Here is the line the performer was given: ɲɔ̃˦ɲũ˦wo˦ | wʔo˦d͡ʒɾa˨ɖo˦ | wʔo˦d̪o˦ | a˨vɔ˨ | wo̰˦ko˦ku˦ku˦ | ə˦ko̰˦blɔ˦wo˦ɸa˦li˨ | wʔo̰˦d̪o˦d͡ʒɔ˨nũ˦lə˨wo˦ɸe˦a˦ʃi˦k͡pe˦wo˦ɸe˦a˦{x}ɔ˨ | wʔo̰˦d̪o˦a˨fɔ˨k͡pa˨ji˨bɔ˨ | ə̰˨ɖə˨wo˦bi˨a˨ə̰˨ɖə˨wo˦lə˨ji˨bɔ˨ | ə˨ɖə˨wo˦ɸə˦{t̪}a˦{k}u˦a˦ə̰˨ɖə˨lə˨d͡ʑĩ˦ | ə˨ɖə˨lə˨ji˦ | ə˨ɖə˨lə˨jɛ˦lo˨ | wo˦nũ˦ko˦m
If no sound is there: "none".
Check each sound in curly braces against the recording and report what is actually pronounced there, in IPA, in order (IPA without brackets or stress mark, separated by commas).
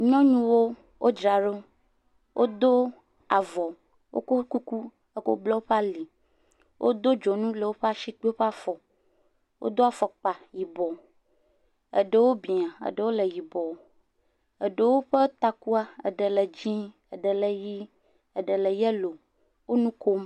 f, t̪, k